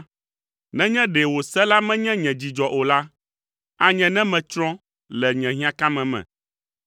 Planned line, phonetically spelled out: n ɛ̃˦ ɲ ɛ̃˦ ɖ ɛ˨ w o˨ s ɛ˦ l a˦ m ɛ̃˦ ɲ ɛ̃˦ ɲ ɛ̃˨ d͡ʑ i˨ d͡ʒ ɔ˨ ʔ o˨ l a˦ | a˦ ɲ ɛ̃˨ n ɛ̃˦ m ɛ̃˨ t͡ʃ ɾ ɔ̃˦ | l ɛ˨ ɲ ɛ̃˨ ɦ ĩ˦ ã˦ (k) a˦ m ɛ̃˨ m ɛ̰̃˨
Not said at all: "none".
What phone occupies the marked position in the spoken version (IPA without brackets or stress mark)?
k